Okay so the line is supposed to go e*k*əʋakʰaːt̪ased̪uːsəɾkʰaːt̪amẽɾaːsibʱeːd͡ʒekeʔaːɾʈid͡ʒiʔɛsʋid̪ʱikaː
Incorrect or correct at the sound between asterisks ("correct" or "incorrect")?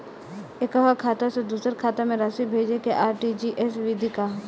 correct